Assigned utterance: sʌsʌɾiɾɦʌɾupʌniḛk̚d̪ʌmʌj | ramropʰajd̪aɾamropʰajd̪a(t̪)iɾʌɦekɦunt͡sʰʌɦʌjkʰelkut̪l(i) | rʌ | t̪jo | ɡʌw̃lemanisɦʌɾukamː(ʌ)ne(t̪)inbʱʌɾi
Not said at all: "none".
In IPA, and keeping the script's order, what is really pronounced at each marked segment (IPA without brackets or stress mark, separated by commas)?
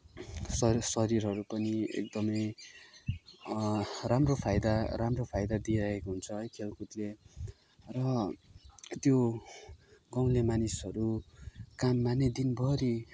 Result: d̪, e, a, d̪